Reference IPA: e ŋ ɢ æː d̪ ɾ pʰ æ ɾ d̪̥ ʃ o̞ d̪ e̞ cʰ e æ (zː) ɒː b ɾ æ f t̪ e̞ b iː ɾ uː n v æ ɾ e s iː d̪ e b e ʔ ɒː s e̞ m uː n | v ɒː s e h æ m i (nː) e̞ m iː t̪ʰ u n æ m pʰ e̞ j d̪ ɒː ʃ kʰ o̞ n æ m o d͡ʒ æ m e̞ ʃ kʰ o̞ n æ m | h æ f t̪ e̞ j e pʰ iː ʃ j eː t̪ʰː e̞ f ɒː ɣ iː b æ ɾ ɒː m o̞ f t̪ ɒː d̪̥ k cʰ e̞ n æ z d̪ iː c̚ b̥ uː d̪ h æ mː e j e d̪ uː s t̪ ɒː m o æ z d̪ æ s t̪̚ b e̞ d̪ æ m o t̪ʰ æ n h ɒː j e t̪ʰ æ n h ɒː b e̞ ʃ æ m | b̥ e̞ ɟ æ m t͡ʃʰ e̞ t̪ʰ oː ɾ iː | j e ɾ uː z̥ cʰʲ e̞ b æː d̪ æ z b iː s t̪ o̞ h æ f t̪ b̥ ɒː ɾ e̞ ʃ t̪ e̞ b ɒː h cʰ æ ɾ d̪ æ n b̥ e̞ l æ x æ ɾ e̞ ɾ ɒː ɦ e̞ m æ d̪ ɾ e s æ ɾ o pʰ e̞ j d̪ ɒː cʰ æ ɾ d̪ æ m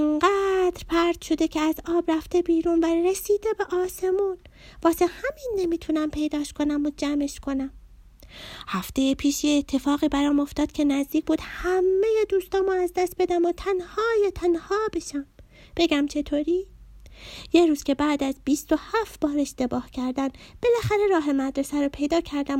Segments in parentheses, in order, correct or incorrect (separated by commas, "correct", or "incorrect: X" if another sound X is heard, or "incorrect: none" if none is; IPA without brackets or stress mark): incorrect: z, correct